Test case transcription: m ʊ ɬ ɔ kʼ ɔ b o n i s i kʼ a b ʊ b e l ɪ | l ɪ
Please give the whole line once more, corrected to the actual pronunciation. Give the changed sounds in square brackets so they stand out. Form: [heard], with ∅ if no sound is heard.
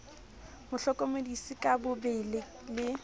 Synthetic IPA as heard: m ʊ ɬ ɔ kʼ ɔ [m] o [d] i s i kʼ a b ʊ b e l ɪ | l ɪ

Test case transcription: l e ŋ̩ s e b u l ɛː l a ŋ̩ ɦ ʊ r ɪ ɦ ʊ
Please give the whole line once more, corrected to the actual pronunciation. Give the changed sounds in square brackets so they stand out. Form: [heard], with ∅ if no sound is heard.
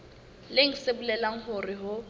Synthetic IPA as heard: l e ŋ̩ s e b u l [ɛ] l a ŋ̩ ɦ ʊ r ɪ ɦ ʊ

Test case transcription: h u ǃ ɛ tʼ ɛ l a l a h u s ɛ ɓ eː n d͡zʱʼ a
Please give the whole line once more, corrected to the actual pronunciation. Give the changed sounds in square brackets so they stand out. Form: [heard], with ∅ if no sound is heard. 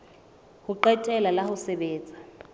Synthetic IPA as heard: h u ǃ ɛ tʼ ɛ l a l a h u s ɛ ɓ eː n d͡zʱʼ a

